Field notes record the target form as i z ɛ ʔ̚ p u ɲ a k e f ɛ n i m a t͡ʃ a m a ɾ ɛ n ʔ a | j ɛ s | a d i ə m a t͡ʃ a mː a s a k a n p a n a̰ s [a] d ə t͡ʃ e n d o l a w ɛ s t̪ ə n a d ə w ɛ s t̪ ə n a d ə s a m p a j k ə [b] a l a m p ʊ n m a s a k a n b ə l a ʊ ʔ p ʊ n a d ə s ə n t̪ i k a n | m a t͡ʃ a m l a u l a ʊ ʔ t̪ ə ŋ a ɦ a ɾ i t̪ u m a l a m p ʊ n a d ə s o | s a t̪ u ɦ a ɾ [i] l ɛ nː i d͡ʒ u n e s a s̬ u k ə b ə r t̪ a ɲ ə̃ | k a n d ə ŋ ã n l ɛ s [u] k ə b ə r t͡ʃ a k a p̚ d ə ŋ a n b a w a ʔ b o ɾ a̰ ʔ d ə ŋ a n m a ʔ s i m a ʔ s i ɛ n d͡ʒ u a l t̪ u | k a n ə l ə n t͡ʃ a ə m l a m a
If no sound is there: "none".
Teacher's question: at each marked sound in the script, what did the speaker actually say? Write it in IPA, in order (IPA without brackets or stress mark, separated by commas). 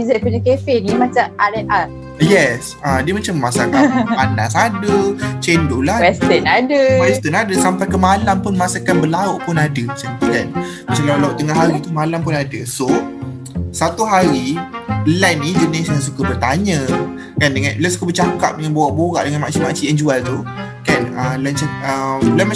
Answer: a, m, i, u